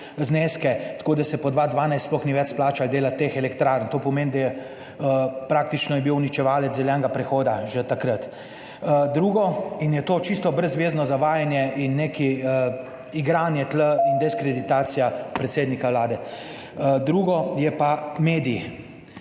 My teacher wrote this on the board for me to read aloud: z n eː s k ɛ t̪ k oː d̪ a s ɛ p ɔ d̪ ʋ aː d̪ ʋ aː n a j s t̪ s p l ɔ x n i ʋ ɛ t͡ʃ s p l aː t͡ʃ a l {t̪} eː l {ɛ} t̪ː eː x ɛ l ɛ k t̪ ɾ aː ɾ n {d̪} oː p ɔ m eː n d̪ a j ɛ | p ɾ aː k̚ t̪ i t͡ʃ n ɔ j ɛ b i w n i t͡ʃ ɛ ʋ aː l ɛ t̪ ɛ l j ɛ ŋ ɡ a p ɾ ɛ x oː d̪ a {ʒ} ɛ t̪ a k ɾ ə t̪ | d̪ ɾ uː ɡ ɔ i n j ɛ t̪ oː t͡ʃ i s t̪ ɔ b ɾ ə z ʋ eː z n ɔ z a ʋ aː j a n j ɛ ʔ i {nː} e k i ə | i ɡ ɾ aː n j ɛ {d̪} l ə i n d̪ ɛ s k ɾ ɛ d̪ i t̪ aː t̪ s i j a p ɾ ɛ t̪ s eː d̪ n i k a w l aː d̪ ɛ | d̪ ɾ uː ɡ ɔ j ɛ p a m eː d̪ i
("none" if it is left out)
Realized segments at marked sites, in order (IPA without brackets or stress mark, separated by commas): d̪, a, t̪, ʒ, nː, t̪